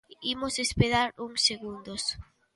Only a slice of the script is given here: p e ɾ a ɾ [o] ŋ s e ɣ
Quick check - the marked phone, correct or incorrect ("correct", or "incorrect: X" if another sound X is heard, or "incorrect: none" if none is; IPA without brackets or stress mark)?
incorrect: u